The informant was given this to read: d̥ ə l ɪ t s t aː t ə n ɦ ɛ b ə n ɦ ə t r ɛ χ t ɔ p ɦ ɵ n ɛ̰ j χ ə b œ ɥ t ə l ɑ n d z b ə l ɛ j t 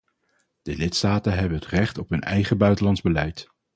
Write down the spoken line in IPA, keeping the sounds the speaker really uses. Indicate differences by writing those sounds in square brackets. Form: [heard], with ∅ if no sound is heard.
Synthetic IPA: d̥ ə l ɪ t s t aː t ə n ɦ ɛ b ə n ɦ ə t r ɛ χ t ɔ p ɦ ɵ n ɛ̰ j χ ə b œ ɥ t ə l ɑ n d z b ə l ɛ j t